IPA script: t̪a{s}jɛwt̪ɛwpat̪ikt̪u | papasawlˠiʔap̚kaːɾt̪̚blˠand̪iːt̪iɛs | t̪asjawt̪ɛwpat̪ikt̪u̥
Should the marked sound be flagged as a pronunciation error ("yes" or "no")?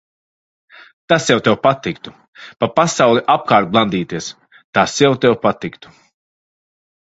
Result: no